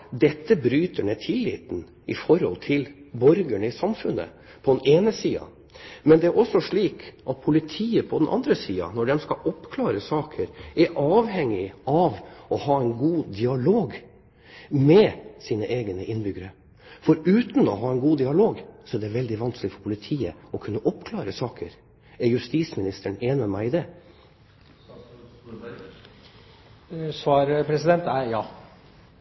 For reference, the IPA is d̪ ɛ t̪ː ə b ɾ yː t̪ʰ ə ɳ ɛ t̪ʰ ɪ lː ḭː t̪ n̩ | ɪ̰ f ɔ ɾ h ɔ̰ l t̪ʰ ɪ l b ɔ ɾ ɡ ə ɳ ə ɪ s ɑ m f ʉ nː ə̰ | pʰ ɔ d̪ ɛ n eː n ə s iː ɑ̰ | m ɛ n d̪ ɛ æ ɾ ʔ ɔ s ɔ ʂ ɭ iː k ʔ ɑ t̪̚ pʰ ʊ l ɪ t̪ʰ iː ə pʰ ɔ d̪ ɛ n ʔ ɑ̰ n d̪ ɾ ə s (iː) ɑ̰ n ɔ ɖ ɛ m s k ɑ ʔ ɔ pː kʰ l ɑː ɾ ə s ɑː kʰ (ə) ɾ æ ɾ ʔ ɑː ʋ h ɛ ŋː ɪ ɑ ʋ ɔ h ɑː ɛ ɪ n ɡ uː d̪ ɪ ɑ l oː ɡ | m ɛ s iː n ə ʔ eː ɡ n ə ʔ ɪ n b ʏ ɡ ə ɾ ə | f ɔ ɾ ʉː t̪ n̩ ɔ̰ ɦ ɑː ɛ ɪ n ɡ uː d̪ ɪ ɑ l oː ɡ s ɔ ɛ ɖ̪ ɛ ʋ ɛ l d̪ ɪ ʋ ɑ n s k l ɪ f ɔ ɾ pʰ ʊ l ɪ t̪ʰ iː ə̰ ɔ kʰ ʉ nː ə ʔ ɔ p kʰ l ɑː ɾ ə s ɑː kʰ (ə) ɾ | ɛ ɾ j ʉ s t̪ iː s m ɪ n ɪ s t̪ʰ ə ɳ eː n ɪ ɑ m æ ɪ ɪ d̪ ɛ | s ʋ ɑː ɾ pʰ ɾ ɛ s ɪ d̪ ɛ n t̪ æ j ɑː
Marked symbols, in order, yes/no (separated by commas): yes, yes, yes